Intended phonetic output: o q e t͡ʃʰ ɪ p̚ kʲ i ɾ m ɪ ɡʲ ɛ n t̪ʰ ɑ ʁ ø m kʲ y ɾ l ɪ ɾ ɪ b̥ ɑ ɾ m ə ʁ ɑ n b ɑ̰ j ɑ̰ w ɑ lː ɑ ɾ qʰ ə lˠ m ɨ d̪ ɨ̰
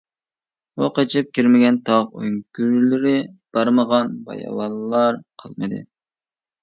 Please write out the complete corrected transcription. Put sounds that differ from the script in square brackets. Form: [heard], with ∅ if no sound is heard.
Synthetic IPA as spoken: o q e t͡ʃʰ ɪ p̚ kʲ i ɾ m ɪ ɡʲ ɛ n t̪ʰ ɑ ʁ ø [ŋ] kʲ y ɾ l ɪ ɾ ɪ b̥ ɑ ɾ m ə ʁ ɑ n b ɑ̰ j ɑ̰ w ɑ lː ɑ ɾ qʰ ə lˠ m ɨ d̪ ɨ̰